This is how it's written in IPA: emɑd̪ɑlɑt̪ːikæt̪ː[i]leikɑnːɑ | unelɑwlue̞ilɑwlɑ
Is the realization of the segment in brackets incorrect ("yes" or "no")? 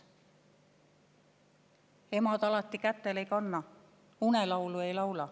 yes